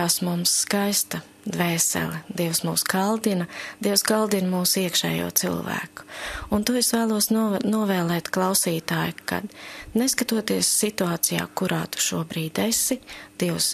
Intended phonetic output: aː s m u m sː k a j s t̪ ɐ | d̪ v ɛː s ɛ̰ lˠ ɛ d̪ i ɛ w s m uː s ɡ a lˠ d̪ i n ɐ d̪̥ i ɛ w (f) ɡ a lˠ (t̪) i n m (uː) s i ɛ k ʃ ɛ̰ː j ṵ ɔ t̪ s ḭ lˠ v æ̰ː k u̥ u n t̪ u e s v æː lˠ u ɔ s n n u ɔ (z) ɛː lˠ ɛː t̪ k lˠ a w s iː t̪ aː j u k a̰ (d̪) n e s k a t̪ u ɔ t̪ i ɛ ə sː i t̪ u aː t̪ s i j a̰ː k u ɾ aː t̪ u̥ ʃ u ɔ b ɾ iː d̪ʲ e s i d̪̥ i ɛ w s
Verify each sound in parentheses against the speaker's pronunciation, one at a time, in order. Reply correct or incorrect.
incorrect, incorrect, correct, incorrect, correct

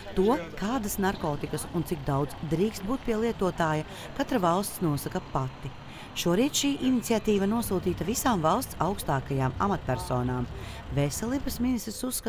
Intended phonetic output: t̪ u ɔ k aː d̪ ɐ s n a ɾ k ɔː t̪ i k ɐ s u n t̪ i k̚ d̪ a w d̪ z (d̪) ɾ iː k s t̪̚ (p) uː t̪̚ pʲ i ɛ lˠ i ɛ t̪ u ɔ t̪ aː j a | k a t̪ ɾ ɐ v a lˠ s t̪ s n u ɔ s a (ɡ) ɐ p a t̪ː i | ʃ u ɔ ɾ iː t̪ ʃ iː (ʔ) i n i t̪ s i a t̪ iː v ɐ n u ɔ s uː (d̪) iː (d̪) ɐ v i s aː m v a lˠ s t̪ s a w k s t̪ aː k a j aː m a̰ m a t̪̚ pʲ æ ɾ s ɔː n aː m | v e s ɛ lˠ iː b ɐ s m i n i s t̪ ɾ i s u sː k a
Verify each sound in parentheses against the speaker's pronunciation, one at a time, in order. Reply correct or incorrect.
correct, incorrect, incorrect, correct, incorrect, incorrect

